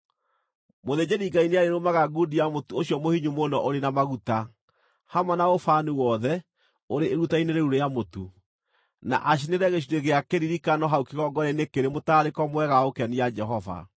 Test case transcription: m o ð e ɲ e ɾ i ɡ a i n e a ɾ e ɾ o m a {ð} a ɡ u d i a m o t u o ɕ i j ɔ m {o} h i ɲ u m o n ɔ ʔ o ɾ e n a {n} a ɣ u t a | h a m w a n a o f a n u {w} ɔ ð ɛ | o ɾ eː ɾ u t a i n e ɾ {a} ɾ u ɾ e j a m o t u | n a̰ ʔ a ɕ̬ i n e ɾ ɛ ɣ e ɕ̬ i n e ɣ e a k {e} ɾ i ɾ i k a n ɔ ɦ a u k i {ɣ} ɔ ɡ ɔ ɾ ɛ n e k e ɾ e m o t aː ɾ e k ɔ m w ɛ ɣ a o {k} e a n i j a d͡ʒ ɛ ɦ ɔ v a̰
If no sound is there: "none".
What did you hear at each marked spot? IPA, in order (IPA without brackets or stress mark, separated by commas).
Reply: ɣ, o, m, w, e, e, ɣ, k